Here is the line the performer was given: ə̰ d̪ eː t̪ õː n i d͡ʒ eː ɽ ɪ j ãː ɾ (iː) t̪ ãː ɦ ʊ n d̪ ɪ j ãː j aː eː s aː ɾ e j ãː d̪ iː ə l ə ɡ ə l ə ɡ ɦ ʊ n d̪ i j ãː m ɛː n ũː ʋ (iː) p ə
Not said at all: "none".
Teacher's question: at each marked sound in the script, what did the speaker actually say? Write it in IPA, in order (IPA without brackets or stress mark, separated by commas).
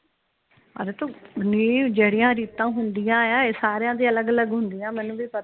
iː, iː